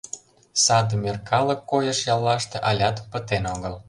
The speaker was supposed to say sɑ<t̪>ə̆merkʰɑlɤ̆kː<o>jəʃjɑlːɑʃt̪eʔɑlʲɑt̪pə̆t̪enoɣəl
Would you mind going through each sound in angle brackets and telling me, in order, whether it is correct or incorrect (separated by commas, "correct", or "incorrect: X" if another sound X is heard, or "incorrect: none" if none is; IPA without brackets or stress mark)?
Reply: incorrect: d̪, correct